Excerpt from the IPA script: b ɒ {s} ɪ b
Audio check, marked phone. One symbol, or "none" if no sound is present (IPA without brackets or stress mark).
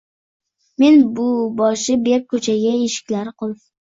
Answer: ʃ